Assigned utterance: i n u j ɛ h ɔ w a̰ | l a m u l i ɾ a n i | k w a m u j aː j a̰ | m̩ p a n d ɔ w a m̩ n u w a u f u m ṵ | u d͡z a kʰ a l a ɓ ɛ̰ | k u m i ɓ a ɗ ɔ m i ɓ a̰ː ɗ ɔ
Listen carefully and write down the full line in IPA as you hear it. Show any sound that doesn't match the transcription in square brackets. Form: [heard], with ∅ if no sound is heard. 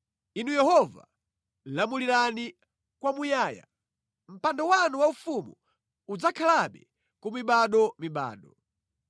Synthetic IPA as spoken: i n u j ɛ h ɔ [v] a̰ | l a m u l i ɾ a n i | k w a m u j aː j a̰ | m̩ p a n d ɔ w a [∅] n u w a u f u m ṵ | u d͡z a kʰ a l a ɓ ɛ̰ | k u m i ɓ a ɗ ɔ m i ɓ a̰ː ɗ ɔ